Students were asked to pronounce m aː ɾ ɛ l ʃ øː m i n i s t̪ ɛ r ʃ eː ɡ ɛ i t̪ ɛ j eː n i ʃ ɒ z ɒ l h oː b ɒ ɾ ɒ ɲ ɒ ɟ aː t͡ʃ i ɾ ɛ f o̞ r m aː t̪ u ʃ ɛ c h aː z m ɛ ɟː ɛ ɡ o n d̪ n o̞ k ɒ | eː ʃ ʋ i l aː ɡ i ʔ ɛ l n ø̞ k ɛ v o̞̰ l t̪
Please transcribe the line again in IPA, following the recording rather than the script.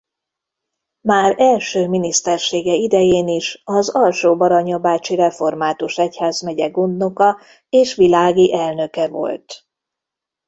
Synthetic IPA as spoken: m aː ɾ ɛ l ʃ øː m i n i s t̪ ɛ r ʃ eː ɡ ɛ i d̪ ɛ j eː n i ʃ ɒ z ɒ l ʃ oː b ɒ ɾ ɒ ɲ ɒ b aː t͡ʃ i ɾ ɛ f o̞ r m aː t̪ u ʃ ɛ c h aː z m ɛ ɟ ɛ ɡ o n d̪ n o̞ k ɒ | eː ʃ ʋ i l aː ɡ i ʔ ɛ l n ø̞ k ɛ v o̞̰ l t̪